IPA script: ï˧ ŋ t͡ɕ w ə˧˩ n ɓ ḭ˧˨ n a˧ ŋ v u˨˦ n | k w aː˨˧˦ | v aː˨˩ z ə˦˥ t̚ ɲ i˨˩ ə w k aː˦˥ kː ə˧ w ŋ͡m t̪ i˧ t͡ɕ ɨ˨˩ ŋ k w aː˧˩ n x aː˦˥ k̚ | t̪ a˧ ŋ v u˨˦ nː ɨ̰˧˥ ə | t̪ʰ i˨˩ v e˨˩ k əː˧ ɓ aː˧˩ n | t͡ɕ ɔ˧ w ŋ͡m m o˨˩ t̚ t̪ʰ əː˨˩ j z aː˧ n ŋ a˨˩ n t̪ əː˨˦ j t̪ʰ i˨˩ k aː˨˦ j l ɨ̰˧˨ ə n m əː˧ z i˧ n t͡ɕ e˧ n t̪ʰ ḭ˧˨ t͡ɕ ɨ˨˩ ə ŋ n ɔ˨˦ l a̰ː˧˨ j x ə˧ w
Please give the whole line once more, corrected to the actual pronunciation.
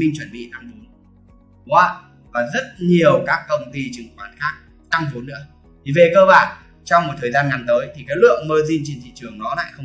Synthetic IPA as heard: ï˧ ŋ t͡ɕ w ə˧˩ n ɓ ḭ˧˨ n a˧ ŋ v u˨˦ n | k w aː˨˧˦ | v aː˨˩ z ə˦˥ t̚ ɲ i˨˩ ə w k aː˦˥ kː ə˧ w ŋ͡m t̪ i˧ t͡ɕ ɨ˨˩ ŋ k w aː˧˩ n x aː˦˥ k̚ | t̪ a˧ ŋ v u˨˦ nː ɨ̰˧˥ ə | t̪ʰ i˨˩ v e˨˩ k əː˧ ɓ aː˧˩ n | t͡ɕ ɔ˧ w ŋ͡m m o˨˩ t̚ t̪ʰ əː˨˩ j z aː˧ n ŋ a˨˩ n t̪ əː˨˦ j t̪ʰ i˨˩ k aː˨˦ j l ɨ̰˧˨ ə ŋ m əː˧ z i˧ n t͡ɕ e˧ n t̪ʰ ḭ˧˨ t͡ɕ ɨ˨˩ ə ŋ n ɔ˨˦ l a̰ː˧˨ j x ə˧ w